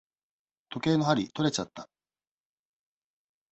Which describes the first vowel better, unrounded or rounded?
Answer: rounded